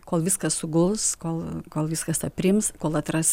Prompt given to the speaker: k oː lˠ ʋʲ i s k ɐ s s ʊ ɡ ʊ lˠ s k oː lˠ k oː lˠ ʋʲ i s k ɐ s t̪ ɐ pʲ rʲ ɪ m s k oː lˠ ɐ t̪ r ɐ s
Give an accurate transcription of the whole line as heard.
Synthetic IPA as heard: k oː lˠ ʋʲ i s k ɐ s s ʊ ɡ ʊ lˠ s k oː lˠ k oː lˠ ʋʲ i s k ɐ s t̪ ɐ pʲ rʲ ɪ m s k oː lˠ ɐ t̪ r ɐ s